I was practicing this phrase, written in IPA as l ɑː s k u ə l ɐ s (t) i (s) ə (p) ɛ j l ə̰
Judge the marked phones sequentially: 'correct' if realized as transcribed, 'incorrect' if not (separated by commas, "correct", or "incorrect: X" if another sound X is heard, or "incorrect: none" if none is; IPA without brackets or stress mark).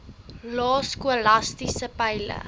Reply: correct, correct, correct